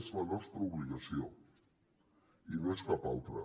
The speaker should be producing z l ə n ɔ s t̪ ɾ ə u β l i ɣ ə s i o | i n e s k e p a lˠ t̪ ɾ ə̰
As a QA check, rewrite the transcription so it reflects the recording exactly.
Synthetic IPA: z l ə n ɔ s t̪ ɾ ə u β l i ɣ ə s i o | i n e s k a p a lˠ t̪ ɾ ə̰